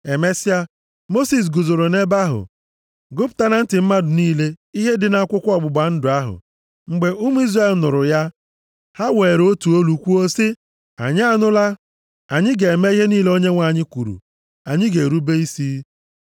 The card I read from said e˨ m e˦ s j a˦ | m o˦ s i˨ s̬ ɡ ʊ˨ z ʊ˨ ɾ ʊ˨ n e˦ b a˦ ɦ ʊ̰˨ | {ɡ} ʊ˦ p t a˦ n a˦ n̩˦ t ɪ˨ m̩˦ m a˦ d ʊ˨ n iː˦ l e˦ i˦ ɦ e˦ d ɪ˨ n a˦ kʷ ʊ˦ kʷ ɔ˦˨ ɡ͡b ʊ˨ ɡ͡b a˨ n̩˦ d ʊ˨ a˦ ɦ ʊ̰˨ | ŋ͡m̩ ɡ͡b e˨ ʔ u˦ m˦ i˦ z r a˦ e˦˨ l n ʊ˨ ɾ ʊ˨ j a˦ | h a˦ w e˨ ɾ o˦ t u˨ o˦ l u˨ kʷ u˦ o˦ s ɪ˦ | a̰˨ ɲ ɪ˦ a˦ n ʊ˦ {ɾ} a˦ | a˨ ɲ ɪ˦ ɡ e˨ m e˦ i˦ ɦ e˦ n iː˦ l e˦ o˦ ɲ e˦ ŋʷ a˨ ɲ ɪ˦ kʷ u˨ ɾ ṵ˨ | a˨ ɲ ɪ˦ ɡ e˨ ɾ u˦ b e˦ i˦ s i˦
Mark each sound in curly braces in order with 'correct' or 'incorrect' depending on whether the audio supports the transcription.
correct, incorrect: l

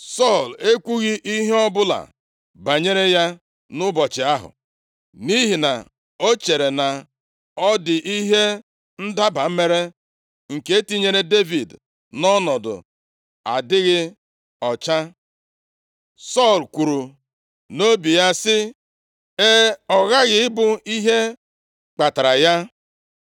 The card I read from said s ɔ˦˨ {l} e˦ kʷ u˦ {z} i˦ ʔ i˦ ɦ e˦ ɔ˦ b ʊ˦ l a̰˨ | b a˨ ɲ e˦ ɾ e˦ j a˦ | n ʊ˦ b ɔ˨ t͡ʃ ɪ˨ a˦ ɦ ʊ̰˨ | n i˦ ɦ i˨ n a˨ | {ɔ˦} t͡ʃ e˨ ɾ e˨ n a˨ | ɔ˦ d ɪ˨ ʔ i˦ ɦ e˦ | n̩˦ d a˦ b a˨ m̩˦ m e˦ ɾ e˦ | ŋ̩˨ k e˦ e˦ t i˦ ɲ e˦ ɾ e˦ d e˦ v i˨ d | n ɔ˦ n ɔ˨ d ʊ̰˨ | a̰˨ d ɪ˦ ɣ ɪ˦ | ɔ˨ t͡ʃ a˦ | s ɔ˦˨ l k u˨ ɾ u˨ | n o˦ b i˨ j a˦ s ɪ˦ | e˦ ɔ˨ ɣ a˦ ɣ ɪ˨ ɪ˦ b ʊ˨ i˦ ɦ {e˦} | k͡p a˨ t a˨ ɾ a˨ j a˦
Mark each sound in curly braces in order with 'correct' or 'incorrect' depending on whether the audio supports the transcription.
correct, incorrect: ɣ, incorrect: o˦, correct

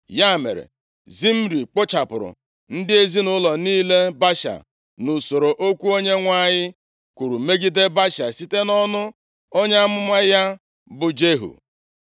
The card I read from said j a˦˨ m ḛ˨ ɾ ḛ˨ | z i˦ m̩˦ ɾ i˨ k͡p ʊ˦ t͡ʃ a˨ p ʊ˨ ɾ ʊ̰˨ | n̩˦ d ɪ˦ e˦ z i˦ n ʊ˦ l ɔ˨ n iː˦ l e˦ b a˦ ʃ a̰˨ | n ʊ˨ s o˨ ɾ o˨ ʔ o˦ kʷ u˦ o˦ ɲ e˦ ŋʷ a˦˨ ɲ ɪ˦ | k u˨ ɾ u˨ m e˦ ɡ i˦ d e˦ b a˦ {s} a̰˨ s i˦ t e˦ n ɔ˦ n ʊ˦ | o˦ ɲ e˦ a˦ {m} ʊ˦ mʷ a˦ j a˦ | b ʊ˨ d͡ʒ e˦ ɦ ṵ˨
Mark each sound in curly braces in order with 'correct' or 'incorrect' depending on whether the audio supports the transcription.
incorrect: ʃ, correct

